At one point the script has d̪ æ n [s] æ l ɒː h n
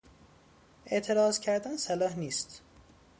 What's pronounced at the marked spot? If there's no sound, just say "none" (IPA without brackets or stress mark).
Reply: s